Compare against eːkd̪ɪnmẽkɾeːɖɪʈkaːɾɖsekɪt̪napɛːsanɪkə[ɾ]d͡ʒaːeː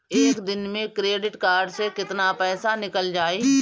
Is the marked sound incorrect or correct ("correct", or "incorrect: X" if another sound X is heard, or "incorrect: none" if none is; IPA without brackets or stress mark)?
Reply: incorrect: l